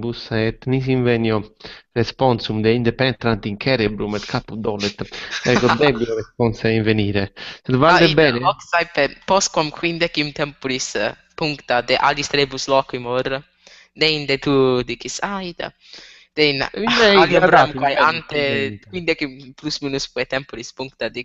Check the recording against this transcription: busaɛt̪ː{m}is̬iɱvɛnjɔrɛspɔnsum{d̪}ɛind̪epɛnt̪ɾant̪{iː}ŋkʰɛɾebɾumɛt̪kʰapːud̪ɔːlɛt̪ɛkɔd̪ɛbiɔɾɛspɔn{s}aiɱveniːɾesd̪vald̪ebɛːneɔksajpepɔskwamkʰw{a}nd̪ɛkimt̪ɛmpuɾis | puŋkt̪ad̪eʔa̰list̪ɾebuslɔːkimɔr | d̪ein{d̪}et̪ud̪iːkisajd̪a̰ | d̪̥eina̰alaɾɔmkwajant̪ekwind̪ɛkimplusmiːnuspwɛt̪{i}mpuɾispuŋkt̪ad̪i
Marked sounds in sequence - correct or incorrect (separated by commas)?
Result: incorrect, correct, incorrect, correct, incorrect, correct, incorrect